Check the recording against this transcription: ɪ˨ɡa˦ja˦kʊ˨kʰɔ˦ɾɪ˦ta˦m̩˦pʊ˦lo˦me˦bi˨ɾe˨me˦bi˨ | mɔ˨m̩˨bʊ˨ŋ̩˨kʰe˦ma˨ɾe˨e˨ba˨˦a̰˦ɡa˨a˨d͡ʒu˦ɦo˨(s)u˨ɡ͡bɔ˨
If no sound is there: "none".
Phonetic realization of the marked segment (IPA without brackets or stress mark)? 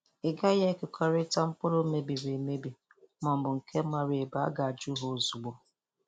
z